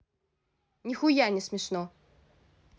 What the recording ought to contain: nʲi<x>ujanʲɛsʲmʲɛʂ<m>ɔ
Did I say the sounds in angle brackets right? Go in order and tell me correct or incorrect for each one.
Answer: correct, incorrect: n

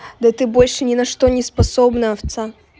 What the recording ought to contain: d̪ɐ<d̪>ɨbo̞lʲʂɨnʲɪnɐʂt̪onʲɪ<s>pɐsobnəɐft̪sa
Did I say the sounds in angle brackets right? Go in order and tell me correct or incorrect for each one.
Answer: incorrect: t̪, correct

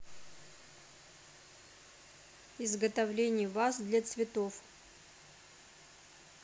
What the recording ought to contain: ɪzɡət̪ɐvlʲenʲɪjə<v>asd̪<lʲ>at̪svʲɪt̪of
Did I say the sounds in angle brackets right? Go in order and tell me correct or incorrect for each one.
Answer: correct, correct

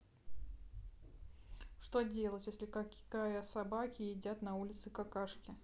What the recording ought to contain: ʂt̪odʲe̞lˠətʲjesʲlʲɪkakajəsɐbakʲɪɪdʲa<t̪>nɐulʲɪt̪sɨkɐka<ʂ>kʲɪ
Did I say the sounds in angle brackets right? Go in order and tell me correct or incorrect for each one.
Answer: correct, correct

